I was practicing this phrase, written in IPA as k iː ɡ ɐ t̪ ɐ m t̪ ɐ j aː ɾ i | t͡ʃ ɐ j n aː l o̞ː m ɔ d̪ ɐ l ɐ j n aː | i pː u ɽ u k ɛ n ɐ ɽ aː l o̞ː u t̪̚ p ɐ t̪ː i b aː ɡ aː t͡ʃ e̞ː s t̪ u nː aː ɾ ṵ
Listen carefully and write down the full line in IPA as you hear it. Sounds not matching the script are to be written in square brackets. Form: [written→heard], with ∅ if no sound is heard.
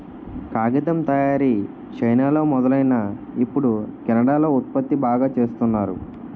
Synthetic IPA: k [iː→aː] ɡ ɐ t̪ ɐ m t̪ ɐ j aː ɾ i | t͡ʃ ɐ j n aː l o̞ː m ɔ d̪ ɐ l ɐ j n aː | i pː u ɽ u k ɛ n ɐ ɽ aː l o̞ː u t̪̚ p ɐ t̪ː i b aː ɡ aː t͡ʃ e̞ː s t̪ u nː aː ɾ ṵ

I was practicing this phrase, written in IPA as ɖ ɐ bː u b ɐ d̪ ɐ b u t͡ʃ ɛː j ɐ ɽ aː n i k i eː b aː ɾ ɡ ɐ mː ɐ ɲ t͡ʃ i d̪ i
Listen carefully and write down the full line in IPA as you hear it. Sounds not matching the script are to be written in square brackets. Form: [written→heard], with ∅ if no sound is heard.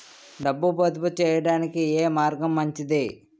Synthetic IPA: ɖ ɐ bː u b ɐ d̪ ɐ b u t͡ʃ ɛː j ɐ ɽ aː n i k i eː [b→m] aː ɾ ɡ ɐ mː ɐ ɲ t͡ʃ i d̪ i

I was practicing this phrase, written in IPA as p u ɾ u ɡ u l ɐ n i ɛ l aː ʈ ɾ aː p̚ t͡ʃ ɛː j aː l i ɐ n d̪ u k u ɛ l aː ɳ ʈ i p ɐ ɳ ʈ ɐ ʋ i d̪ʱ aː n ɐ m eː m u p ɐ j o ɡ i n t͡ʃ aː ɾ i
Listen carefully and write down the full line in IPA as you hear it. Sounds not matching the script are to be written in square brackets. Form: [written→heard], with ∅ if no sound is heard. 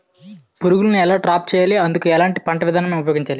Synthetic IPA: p u ɾ u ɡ u l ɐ n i ɛ l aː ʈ ɾ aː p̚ t͡ʃ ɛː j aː l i ɐ n d̪ u k u ɛ l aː ɳ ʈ i p ɐ ɳ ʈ ɐ ʋ i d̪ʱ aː n ɐ m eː m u p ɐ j o ɡ i [n→ɲ] t͡ʃ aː [ɾ→l] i

